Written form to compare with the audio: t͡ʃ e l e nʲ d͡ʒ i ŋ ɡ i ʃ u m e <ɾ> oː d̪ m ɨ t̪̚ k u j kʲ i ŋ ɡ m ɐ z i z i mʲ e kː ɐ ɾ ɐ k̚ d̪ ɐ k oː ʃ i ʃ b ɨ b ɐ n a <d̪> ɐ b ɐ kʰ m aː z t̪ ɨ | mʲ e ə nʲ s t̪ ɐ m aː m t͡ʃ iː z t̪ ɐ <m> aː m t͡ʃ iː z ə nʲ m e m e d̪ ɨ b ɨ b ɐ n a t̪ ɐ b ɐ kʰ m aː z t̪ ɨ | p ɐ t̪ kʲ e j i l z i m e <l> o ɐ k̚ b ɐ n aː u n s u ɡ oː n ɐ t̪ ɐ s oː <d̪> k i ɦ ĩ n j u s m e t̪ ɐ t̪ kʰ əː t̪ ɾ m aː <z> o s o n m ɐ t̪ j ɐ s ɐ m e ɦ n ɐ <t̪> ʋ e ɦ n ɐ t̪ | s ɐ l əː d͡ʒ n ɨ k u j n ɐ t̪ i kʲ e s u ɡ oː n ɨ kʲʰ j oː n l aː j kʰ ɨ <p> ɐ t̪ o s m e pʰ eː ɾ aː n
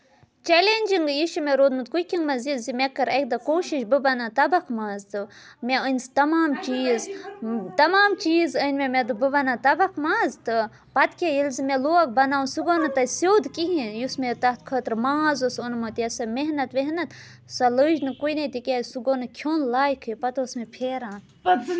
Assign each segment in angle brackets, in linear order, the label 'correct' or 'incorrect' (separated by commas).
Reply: correct, incorrect, correct, correct, correct, correct, correct, correct